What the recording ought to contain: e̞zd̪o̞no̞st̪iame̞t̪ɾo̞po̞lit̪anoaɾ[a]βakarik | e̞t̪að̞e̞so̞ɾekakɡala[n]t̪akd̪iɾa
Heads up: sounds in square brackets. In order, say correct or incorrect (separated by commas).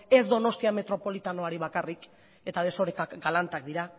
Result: incorrect, correct